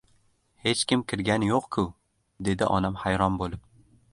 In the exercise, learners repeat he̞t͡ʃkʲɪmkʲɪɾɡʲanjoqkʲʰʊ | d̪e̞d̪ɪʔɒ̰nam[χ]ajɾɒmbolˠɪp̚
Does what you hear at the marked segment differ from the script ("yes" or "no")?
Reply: yes